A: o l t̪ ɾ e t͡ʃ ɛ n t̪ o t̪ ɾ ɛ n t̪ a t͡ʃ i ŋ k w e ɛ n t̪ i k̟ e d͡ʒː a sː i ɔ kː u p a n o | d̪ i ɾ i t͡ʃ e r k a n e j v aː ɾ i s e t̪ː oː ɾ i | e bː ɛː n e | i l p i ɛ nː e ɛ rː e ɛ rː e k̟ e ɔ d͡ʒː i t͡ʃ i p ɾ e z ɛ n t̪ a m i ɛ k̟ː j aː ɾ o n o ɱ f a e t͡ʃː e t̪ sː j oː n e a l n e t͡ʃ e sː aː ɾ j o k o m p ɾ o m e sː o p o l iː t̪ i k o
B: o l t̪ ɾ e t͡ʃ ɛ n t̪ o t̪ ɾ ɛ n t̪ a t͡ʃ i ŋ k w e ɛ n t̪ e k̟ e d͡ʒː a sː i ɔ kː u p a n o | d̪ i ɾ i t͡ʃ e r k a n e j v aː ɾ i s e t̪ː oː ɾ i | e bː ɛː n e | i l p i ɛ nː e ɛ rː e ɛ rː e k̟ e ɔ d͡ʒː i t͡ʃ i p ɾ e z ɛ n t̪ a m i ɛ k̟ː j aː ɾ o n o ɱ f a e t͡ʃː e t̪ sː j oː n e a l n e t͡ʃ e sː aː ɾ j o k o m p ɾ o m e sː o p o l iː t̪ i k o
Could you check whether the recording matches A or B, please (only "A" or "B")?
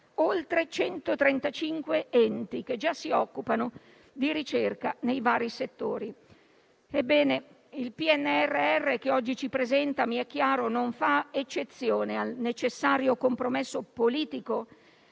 A